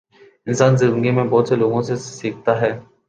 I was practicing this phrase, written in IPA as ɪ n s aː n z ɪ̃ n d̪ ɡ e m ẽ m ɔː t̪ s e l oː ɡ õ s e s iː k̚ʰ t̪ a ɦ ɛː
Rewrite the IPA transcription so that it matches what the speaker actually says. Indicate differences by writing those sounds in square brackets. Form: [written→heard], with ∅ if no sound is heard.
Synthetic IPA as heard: ɪ n s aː n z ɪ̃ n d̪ ɡ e m ẽ [m→b] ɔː t̪ s e l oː ɡ õ s e s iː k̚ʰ t̪ a ɦ ɛː